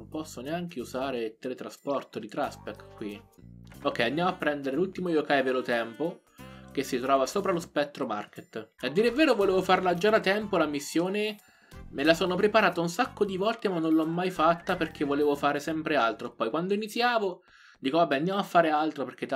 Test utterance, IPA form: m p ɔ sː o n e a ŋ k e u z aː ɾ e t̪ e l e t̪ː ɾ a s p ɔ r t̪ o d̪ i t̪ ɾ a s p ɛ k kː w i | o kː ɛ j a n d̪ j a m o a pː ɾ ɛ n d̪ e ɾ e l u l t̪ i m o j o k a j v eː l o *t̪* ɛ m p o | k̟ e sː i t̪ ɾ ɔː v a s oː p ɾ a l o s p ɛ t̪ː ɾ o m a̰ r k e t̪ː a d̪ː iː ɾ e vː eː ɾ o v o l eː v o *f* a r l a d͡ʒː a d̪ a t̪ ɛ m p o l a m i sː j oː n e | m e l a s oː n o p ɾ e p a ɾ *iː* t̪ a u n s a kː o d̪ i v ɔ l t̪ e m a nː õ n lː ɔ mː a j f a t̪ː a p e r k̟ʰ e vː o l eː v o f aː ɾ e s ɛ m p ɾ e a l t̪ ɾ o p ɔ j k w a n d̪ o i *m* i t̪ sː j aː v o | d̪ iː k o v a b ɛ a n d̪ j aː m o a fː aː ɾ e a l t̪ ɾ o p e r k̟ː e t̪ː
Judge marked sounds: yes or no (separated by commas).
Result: yes, yes, no, no